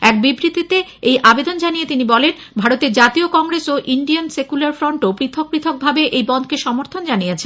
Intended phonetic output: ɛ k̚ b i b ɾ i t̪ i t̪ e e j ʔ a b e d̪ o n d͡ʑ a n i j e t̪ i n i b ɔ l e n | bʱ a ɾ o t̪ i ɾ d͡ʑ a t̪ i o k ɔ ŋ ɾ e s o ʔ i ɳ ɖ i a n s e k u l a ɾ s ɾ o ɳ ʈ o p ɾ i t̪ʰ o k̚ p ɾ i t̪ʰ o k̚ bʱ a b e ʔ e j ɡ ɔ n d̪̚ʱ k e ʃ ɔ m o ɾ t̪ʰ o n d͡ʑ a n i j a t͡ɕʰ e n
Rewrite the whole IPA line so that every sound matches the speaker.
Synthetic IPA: ɛ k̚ b i b ɾ i t̪ i t̪ e e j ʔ a b e d̪ o n d͡ʑ a n i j e t̪ i n i b ɔ l e n | bʱ a ɾ o t̪ e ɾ d͡ʑ a t̪ i o k ɔ ŋ ɾ e s o ʔ i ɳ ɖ i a n s e k u l a ɾ f ɾ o ɳ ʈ o p ɾ i t̪ʰ o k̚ p ɾ i t̪ʰ o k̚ bʱ a b e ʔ e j b ɔ n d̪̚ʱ k e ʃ ɔ m o ɾ t̪ʰ o n d͡ʑ a n i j e t͡ɕʰ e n